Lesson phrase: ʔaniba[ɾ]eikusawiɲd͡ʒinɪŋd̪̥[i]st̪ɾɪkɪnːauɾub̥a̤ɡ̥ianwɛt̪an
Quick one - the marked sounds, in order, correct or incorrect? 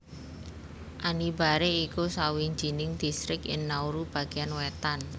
correct, correct

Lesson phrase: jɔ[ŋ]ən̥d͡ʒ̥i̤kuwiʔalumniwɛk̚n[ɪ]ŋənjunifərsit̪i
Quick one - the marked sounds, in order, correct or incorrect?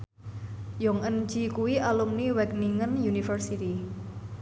correct, incorrect: i

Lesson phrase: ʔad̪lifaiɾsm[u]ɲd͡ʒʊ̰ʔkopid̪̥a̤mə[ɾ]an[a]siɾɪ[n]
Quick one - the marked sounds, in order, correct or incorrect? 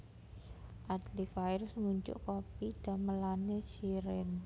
correct, incorrect: l, incorrect: e, correct

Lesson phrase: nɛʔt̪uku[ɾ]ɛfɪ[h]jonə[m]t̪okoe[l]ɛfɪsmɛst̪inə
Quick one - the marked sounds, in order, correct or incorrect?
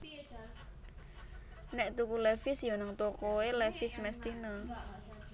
incorrect: l, incorrect: s, incorrect: ŋ, correct

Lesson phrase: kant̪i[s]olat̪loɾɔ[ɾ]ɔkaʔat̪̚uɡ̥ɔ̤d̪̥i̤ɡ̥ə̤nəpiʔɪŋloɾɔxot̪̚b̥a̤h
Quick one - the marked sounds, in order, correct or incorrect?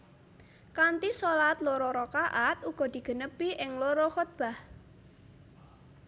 correct, correct

